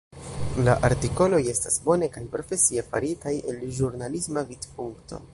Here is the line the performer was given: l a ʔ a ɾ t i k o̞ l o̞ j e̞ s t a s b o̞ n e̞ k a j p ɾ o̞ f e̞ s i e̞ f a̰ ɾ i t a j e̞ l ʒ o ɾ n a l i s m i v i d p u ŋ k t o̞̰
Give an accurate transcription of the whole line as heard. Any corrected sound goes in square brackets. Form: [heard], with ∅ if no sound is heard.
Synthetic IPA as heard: l a ʔ a ɾ t i k o̞ l o̞ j e̞ s t a s b o̞ n e̞ k a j p ɾ o̞ f e̞ s i e̞ f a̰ ɾ i t a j e̞ l ʒ [u] ɾ n a l i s m [a] v i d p u ŋ k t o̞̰